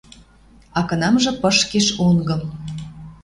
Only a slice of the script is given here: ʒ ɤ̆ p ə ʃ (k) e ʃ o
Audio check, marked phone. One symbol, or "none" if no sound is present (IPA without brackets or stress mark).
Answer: k